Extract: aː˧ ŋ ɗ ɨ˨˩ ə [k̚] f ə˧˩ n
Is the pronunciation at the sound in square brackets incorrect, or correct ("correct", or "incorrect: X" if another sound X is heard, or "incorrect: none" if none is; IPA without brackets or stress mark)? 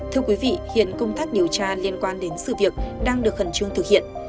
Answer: correct